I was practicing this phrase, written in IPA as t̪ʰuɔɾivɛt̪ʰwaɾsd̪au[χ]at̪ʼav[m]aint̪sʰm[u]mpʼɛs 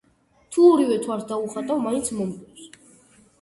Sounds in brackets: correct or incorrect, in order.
correct, correct, incorrect: ɔ

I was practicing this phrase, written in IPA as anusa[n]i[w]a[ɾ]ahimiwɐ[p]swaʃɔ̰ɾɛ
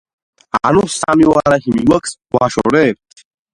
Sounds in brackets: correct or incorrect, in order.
incorrect: m, correct, correct, incorrect: k

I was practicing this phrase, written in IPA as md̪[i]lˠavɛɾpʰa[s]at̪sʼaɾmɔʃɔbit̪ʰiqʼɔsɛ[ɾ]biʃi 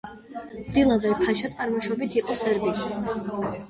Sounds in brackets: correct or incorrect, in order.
correct, incorrect: ʃ, correct

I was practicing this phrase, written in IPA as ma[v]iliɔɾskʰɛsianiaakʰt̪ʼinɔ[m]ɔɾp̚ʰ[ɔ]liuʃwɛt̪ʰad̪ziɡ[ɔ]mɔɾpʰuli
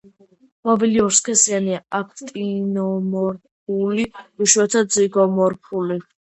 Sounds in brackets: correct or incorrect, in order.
correct, correct, incorrect: u, correct

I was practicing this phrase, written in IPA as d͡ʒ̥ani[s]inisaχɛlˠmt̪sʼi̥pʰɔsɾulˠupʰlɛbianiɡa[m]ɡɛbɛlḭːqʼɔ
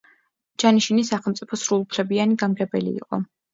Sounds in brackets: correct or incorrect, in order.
incorrect: ʃ, correct

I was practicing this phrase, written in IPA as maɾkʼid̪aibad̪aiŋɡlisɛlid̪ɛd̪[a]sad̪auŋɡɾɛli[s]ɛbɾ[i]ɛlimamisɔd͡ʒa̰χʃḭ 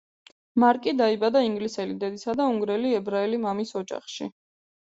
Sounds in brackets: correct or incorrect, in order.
incorrect: i, incorrect: none, incorrect: a

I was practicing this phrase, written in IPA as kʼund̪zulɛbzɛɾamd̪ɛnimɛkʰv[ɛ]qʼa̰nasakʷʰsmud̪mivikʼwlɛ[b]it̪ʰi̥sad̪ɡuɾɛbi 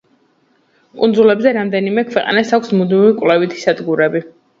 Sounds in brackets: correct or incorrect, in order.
correct, incorrect: v

